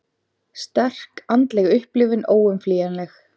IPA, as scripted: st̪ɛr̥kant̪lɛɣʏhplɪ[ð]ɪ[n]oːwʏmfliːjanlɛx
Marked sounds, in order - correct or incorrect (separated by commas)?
incorrect, correct